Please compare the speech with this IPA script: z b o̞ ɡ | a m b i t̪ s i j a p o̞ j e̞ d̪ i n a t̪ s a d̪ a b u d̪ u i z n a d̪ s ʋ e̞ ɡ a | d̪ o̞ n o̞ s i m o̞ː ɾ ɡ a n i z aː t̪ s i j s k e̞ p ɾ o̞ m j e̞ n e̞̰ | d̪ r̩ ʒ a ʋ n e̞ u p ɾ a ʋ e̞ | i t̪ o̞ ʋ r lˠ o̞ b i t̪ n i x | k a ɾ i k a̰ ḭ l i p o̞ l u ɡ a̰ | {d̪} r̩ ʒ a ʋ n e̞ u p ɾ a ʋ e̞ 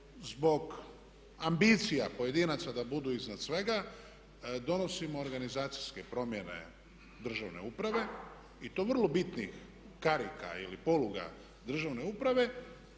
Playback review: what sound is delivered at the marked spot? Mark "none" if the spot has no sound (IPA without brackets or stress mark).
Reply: d̪